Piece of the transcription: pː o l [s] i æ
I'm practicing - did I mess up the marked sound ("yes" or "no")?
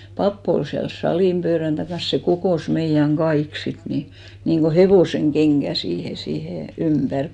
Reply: no